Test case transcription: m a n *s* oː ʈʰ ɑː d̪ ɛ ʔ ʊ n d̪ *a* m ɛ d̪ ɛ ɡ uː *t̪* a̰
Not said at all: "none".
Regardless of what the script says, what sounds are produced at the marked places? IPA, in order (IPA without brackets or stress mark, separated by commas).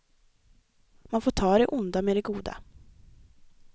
f, a, d̪